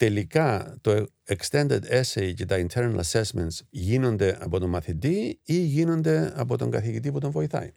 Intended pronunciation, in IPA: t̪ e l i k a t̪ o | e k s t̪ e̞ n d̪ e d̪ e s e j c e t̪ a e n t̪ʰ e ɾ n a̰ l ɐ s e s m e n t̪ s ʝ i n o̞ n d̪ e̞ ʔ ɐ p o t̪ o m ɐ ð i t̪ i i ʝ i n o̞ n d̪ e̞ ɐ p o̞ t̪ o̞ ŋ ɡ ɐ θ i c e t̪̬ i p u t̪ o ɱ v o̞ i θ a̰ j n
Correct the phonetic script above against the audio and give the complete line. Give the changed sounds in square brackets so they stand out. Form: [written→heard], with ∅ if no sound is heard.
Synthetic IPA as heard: t̪ e l i k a t̪ o | e k s t̪ e̞ n d̪ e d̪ e s e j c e t̪ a [e→i] n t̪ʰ e ɾ n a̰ l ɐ s e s m e n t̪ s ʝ i n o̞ n d̪ e̞ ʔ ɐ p o t̪ o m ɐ [ð→θ] i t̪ i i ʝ i n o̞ n d̪ e̞ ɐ p o̞ t̪ o̞ ŋ ɡ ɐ θ i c [e→i] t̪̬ i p u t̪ o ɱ v o̞ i θ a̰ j n